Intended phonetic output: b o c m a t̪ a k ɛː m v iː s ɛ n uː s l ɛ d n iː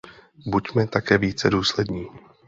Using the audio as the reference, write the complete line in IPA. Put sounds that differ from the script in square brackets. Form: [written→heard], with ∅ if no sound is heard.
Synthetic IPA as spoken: b [o→u] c m [a→ɛ] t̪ a k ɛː [m→∅] v iː [s→t͡s] ɛ [n→d] uː s l ɛ d [n→ɲ] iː